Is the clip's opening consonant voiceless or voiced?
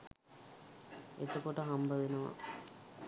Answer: voiceless